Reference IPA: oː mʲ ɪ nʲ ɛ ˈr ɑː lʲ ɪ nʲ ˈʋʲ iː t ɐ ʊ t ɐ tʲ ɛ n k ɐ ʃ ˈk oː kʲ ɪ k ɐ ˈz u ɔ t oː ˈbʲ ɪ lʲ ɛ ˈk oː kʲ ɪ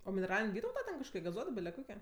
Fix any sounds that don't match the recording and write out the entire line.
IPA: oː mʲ ɪ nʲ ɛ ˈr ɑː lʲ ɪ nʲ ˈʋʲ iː t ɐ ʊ t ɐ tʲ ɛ n k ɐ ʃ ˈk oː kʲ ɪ ɡ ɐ ˈz u ɔ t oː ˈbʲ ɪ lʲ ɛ ˈk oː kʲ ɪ